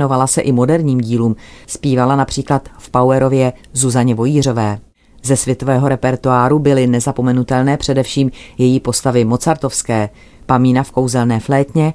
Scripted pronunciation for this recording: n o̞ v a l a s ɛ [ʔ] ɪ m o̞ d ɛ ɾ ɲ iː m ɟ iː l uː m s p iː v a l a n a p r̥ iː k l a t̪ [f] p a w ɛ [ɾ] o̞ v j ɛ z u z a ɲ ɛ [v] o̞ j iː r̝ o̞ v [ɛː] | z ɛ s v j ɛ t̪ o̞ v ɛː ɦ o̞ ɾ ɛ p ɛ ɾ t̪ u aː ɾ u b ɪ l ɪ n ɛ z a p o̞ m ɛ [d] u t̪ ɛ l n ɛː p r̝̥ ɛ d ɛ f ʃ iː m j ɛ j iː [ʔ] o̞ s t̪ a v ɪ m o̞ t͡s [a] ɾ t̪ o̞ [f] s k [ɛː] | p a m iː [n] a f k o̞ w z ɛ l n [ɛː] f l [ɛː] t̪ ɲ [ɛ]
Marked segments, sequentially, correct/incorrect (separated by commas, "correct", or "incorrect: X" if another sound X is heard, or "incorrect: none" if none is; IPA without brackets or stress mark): correct, correct, correct, correct, correct, incorrect: n, incorrect: p, correct, correct, correct, correct, correct, correct, correct